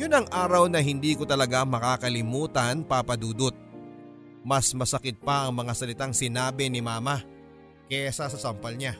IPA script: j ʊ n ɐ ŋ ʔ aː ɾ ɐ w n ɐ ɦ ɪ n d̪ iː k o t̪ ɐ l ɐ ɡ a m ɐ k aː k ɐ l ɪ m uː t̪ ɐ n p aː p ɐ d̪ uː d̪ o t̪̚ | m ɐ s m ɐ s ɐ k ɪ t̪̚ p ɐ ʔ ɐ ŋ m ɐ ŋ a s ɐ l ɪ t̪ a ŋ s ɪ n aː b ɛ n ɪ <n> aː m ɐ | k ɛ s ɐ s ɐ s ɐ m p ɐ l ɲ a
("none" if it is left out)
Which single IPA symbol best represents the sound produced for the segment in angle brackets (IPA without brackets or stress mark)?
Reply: m